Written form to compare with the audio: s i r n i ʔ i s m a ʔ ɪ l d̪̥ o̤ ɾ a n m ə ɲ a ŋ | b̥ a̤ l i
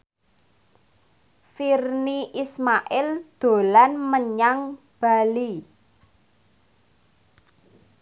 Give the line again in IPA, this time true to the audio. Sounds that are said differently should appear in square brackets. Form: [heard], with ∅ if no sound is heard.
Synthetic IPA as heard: [f] i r n i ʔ i s m a ʔ ɪ l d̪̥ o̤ [l] a n m ə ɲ a ŋ | b̥ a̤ l i